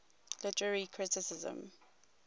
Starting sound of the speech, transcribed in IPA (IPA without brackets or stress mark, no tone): l